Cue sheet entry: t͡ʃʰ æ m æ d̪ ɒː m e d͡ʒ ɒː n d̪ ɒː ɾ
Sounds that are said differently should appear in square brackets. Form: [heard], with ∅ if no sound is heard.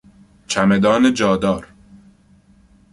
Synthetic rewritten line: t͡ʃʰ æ m [e] d̪ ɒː [n] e d͡ʒ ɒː [∅] d̪ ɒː ɾ

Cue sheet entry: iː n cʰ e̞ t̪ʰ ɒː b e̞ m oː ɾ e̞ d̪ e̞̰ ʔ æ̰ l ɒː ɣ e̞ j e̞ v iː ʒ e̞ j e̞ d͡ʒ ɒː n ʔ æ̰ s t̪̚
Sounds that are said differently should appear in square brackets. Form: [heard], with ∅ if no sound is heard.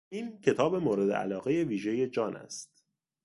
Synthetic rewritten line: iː n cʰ e̞ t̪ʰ ɒː b e̞ m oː ɾ e̞ d̪ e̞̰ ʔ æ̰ l ɒː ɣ e̞ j e̞ v iː ʒ e̞ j e̞ d͡ʒ ɒː n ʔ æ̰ s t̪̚

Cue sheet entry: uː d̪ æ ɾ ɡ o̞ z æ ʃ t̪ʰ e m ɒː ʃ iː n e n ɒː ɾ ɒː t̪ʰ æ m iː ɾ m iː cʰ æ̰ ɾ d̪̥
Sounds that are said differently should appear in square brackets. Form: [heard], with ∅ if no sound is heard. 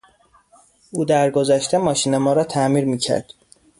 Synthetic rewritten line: uː d̪ æ ɾ ɡ o̞ z æ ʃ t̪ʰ e m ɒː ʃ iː n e [m] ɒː ɾ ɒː t̪ʰ æ m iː ɾ m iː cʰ æ̰ ɾ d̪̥

